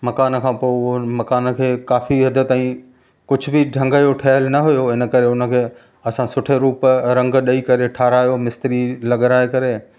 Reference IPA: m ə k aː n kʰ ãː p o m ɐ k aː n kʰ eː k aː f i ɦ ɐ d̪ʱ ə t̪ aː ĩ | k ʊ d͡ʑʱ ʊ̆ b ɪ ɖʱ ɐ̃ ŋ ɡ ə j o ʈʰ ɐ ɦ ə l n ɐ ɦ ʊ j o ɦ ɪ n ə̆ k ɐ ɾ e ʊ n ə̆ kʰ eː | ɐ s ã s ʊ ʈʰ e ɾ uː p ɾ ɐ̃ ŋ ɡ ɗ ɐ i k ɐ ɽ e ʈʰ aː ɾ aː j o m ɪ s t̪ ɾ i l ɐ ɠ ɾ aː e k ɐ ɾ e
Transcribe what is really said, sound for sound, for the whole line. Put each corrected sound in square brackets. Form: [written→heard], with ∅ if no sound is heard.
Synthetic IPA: m [ə→ɐ] k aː n kʰ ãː p o m ɐ k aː n kʰ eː k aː f i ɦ ɐ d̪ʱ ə t̪ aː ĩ | k ʊ d͡ʑʱ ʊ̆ b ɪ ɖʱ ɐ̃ ŋ ɡ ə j o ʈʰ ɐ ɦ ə l n ɐ ɦ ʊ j o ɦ ɪ n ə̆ k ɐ ɾ e ʊ n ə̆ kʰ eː | ɐ s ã s ʊ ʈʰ e ɾ uː p ɾ ɐ̃ ŋ ɡ ɗ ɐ i k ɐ [ɽ→ɾ] e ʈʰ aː ɾ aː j o m ɪ s t̪ ɾ i l ɐ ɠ ɾ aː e k ɐ ɾ e